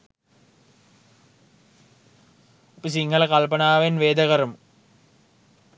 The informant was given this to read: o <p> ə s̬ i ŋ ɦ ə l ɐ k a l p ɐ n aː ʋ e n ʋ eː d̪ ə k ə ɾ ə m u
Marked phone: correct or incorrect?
correct